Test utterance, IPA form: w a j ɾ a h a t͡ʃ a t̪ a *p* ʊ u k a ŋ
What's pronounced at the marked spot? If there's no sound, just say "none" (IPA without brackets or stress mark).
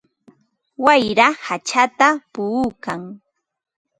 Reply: p